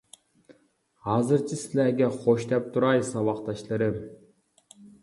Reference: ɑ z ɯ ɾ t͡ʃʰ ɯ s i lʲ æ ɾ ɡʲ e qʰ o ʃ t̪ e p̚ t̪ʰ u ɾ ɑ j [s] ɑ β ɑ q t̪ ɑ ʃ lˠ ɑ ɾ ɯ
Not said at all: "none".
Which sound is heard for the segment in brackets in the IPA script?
s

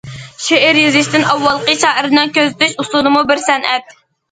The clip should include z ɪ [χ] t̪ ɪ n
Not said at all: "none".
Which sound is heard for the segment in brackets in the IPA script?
ʃ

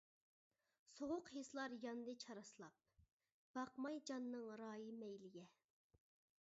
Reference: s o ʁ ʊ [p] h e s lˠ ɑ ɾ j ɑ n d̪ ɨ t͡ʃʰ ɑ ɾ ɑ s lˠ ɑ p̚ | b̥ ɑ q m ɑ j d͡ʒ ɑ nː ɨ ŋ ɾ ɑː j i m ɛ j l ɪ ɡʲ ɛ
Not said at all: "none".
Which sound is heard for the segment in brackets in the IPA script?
q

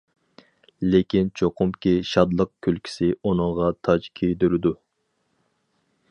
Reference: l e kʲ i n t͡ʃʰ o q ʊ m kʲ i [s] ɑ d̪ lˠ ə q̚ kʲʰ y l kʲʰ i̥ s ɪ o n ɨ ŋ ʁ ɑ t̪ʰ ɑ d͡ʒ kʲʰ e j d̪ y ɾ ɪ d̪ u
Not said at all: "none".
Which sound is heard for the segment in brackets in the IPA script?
ʃ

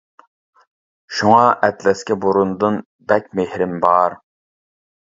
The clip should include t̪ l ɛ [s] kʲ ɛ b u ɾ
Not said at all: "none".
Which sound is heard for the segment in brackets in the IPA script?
s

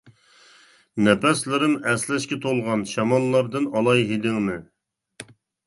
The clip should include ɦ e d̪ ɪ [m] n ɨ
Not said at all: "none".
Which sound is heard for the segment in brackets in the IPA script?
ŋ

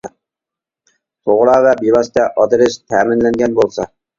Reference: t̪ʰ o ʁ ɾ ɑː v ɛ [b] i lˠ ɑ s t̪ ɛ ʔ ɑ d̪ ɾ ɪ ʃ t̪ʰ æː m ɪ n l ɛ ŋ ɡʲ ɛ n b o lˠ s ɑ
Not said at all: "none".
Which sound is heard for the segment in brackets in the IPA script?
b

